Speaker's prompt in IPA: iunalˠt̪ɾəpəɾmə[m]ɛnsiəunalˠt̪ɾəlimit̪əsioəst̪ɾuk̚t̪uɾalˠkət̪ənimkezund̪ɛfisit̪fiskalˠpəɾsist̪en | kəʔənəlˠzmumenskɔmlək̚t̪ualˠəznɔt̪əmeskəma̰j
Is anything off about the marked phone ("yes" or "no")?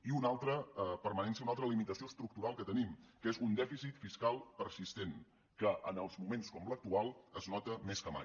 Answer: yes